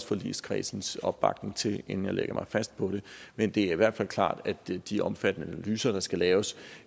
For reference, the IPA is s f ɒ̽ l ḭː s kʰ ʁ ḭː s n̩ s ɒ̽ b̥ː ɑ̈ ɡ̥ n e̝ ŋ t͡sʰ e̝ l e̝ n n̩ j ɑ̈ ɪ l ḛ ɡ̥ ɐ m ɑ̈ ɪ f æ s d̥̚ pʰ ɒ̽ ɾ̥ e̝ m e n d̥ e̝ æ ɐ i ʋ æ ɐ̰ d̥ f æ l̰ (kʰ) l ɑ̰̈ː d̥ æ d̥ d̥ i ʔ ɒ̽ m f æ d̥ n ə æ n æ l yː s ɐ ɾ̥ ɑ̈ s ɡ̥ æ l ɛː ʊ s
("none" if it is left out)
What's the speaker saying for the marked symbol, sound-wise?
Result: kʰ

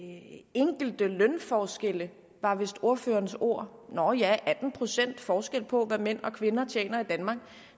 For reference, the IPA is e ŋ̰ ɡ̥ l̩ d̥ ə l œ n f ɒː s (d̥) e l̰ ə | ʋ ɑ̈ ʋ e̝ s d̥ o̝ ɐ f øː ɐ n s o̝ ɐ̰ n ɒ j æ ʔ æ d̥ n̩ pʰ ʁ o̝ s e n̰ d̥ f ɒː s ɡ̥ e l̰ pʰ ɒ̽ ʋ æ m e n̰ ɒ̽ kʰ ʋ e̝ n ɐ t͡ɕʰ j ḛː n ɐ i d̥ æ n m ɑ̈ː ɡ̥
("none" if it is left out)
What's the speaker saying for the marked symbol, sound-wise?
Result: ɡ̥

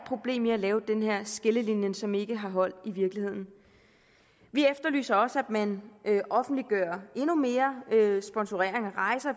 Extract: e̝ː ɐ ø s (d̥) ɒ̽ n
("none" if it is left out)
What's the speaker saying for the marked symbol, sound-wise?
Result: b̥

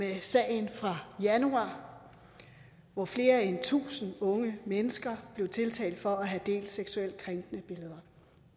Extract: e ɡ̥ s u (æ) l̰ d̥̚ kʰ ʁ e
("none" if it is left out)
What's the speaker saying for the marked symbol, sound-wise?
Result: e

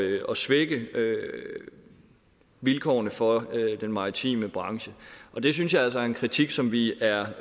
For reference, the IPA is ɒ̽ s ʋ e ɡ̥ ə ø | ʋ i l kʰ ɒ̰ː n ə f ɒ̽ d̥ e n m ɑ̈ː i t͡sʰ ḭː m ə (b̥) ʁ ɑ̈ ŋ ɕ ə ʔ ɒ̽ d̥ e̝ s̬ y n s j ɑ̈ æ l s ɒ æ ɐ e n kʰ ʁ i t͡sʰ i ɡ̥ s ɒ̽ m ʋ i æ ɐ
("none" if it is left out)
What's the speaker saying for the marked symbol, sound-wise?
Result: b̥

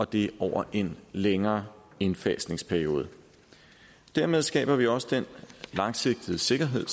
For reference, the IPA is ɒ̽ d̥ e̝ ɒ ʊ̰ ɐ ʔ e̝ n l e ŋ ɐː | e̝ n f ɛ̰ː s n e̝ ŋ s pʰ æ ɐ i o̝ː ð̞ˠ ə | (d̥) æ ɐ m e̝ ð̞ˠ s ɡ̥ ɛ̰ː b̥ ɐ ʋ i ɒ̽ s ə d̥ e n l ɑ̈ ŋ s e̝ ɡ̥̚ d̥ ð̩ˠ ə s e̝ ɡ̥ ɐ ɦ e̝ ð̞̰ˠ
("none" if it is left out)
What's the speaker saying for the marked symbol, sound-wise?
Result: d̥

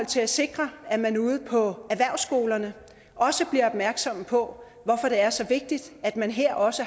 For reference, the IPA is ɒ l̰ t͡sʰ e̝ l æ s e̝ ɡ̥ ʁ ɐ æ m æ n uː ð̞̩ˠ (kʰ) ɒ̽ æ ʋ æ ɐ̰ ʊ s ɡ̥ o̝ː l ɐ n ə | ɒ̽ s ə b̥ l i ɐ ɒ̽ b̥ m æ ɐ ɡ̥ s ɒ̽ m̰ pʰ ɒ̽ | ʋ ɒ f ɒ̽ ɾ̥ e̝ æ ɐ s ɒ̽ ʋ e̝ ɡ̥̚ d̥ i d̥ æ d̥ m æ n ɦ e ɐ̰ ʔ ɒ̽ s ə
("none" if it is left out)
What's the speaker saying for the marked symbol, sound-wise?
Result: pʰ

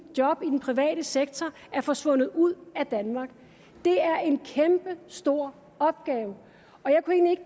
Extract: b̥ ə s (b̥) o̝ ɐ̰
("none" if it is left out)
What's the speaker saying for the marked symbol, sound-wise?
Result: d̥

